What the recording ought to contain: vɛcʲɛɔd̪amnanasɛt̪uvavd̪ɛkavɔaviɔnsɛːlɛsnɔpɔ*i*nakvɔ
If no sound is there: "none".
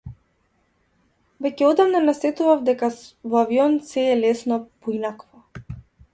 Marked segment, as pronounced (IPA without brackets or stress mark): i